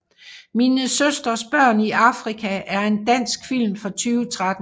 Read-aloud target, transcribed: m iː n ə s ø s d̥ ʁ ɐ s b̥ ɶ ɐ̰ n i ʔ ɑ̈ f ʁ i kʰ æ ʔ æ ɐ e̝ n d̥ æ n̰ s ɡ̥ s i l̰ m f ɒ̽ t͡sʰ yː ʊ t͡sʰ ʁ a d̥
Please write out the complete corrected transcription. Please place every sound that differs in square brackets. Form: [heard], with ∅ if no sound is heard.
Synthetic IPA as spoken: m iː n ə s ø s d̥ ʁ ɐ s b̥ ɶ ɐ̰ n i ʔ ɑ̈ f ʁ i kʰ æ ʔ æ ɐ e̝ n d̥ æ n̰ s ɡ̥ [f] i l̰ m f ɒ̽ t͡sʰ yː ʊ t͡sʰ ʁ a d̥

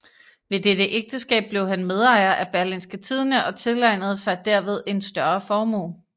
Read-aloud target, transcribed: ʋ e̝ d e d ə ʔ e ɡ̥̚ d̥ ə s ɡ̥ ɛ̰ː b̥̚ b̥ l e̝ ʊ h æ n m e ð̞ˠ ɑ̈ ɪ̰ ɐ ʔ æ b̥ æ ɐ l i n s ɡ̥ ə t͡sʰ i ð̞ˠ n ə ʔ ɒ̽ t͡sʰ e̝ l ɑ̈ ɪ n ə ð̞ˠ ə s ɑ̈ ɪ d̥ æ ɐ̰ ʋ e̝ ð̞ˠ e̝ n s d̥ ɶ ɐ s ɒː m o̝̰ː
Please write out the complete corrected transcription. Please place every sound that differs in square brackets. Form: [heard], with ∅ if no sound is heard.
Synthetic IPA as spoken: ʋ e̝ d e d ə ʔ e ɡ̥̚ d̥ ə s ɡ̥ ɛ̰ː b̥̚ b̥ l e̝ ʊ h æ n m e ð̞ˠ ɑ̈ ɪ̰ ɐ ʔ æ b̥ æ ɐ l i n s ɡ̥ ə t͡sʰ i ð̞ˠ n ə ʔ ɒ̽ t͡sʰ e̝ l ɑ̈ ɪ n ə ð̞ˠ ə s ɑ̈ ɪ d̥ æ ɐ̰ ʋ e̝ ð̞ˠ e̝ n s d̥ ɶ ɐ [f] ɒː m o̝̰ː

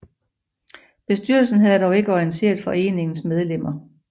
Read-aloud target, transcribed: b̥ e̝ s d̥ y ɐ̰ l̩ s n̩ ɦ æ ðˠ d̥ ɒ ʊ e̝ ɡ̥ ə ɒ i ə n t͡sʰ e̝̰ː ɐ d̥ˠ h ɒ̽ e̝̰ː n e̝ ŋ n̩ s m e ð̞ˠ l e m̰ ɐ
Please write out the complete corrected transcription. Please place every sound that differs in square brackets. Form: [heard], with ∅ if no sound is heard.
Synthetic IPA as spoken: b̥ e̝ s d̥ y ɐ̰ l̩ s n̩ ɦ æ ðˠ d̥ ɒ ʊ e̝ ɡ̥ ə ɒ i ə n t͡sʰ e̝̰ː ɐ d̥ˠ [f] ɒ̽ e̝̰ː n e̝ ŋ n̩ s m e ð̞ˠ l e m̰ ɐ

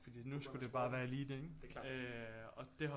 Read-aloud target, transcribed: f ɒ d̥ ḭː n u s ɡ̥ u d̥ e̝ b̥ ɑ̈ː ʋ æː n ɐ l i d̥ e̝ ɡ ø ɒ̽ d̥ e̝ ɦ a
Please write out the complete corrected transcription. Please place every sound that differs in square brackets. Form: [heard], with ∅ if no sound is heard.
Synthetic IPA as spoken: f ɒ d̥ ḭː n u s ɡ̥ u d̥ e̝ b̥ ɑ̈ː ʋ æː [∅] ɐ l [iː] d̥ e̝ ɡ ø ɒ̽ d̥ e̝ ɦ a

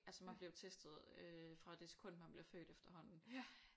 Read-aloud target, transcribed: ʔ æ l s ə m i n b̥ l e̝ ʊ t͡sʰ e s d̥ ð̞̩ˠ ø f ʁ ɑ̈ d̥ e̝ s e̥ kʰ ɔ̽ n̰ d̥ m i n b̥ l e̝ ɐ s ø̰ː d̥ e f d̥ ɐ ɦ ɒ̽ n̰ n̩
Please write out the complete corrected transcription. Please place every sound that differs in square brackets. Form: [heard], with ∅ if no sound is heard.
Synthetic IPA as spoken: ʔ æ l s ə m [æ] n b̥ l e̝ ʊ t͡sʰ e s d̥ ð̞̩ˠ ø f ʁ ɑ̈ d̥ e̝ s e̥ kʰ ɔ̽ n̰ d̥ m [æ] n b̥ l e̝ ɐ [f] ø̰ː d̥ e f d̥ ɐ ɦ ɒ̽ n̰ n̩

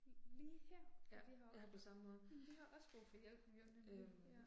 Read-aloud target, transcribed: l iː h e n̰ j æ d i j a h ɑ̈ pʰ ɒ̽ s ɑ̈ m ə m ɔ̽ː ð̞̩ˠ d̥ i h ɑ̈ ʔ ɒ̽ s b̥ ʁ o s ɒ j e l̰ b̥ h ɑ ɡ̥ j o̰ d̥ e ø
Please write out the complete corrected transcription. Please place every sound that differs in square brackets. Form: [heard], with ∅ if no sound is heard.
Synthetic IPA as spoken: l iː h e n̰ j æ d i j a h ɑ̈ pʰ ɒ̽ s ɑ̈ m ə m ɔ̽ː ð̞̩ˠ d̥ i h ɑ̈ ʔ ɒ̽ s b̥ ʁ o [f] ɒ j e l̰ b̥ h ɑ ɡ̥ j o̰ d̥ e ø

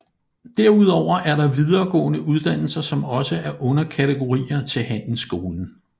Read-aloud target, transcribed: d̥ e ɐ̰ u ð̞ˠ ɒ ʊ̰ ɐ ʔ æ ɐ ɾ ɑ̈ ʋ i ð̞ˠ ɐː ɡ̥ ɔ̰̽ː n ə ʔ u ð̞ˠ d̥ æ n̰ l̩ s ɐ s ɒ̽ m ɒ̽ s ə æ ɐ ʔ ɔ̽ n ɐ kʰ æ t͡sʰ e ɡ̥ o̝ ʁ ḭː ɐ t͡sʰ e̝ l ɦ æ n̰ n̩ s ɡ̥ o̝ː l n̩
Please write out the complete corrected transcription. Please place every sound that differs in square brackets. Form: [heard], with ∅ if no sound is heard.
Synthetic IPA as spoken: d̥ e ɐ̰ u ð̞ˠ ɒ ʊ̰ ɐ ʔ æ ɐ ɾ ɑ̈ ʋ i ð̞ˠ ɐː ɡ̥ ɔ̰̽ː n ə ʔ u ð̞ˠ d̥ æ n̰ l̩ s ɐ s ɒ̽ m ɒ̽ s ə æ ɐ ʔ ɔ̽ n ɐ kʰ æ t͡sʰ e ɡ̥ o̝ ʁ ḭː ɐ t͡sʰ e̝ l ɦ æ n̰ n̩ s ɡ̥ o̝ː l n̩

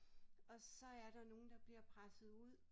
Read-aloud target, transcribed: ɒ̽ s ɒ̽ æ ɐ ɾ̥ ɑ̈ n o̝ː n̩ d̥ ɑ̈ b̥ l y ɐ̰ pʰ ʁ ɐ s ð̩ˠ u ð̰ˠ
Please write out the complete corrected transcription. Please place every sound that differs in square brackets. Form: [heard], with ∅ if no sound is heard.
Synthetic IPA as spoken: ɒ̽ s ɒ̽ æ ɐ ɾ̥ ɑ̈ n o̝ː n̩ d̥ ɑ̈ b̥ l [i] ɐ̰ pʰ ʁ [a] s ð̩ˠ u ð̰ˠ

